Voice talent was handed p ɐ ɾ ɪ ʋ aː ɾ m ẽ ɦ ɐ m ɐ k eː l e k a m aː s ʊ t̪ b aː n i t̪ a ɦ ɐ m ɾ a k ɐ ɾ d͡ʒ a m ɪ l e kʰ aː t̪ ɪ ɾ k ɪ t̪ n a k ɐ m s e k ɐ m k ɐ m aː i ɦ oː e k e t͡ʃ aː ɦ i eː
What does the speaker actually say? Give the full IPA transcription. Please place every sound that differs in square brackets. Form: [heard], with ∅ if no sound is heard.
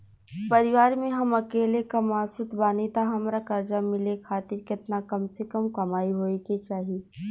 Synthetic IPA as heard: p ɐ ɾ ɪ ʋ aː ɾ m ẽ ɦ ɐ m ɐ k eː l e k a m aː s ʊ t̪ b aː n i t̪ a ɦ ɐ m ɾ a k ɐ ɾ d͡ʒ a m ɪ l e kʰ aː t̪ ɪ ɾ k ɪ t̪ n a k ɐ m s e k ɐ m k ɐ m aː i ɦ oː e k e t͡ʃ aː ɦ i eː